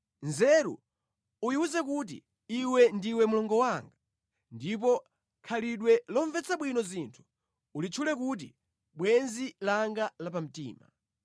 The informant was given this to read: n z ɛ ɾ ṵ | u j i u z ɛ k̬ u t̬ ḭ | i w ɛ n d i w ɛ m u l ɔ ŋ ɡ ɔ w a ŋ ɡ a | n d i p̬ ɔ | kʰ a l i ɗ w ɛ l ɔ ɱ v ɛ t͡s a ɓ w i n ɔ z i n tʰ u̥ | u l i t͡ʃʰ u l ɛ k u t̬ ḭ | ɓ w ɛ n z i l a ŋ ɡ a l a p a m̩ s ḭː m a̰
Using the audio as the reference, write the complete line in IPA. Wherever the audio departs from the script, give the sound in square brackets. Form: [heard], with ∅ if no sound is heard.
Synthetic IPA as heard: n z ɛ ɾ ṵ | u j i u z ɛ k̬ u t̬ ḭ | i w ɛ n d i w ɛ m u l ɔ ŋ ɡ ɔ w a ŋ ɡ a | n d i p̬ ɔ | kʰ a l i ɗ w ɛ l ɔ ɱ v ɛ t͡s a ɓ w i n ɔ z i n tʰ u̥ | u l i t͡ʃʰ u l ɛ k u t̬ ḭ | ɓ w ɛ n z i l a ŋ ɡ a l a p a m̩ [t] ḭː m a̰